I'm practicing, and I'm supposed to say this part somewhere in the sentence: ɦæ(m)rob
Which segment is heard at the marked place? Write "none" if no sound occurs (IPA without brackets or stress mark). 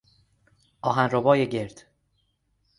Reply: n